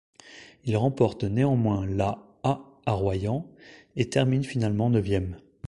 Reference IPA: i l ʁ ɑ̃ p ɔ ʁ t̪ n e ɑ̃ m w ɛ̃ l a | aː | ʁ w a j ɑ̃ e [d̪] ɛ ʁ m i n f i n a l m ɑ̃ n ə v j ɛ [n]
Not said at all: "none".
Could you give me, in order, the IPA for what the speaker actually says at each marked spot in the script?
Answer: t̪, m

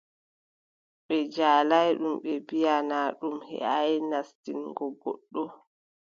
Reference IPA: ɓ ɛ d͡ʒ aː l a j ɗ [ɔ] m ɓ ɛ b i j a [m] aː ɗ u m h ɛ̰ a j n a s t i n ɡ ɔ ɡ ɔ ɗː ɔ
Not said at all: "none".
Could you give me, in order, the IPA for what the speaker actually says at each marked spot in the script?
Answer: u, n

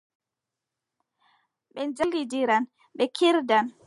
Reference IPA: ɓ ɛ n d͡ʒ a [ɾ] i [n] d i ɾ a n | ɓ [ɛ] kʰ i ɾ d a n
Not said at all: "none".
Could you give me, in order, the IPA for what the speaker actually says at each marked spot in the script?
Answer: l, none, ɛ

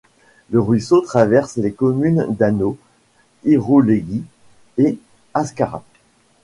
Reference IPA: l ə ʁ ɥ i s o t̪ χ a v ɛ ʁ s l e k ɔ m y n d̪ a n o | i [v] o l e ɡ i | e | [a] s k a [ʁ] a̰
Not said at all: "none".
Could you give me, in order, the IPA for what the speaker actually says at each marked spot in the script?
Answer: ʁ, a, ʁ

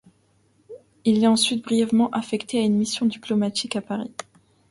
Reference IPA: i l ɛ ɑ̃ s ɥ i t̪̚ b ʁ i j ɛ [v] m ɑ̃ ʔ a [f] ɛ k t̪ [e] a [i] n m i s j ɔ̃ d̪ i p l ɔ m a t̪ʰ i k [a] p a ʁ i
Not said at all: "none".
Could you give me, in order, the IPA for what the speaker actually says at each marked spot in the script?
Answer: v, f, e, y, a

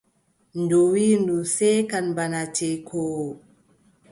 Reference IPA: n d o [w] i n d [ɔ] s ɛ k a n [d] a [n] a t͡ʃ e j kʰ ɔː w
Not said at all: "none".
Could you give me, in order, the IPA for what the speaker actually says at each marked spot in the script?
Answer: w, u, b, n

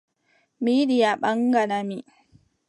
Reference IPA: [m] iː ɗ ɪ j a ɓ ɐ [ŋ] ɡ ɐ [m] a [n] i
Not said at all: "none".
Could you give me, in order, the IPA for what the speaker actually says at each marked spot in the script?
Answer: m, ŋ, n, m

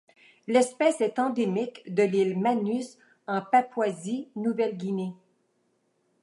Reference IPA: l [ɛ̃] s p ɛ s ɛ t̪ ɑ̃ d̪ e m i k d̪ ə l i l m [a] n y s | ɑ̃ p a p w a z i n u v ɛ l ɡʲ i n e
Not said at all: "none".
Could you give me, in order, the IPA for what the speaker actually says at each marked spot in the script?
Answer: ɛ, a

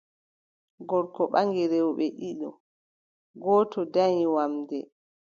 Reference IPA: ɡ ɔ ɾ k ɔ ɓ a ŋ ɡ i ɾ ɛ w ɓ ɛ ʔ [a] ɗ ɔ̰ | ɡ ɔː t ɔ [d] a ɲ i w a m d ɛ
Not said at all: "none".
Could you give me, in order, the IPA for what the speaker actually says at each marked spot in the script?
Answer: i, d

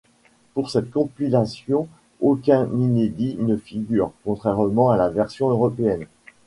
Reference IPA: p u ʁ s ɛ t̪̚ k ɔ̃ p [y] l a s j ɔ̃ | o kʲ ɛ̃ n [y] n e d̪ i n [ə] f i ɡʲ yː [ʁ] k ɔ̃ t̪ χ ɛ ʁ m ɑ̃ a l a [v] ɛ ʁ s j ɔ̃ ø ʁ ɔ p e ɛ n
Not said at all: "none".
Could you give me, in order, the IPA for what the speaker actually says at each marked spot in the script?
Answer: i, i, ə, ʁ, v

